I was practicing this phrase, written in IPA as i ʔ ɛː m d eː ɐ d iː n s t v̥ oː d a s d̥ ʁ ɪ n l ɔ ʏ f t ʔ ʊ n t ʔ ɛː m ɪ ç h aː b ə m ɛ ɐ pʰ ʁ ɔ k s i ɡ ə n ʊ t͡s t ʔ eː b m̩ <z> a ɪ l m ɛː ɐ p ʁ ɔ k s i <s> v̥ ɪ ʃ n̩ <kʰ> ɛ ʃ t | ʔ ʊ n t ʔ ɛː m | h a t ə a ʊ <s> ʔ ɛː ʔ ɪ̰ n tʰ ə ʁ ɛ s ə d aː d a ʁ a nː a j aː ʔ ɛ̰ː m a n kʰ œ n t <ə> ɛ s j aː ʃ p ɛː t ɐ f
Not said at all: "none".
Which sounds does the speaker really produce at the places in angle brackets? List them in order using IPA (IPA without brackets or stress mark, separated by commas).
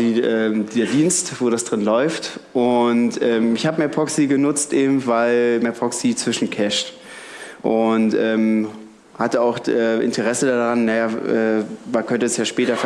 v, t͡s, kʰ, x, ə